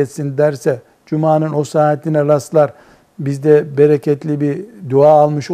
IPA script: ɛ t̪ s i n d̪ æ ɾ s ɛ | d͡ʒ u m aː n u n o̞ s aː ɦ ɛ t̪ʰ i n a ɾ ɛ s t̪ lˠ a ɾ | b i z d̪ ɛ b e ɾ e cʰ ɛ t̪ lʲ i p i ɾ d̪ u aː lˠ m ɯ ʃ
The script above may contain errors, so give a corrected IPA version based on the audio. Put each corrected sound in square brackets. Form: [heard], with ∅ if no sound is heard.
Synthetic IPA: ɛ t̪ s i n d̪ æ ɾ s ɛ | d͡ʒ u m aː n [ɯ] n o̞ s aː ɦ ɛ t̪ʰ i n [ɛ] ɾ [a] s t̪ lˠ a ɾ | b i z d̪ ɛ b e ɾ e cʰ ɛ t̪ lʲ i [b] i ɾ d̪ u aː lˠ m ɯ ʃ